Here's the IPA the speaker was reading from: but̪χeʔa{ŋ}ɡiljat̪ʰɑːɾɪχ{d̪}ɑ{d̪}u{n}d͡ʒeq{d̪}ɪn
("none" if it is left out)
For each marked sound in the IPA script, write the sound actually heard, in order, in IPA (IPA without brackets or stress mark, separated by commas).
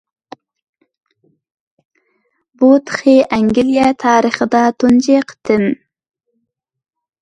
ŋ, d̪, t̪, n, t̪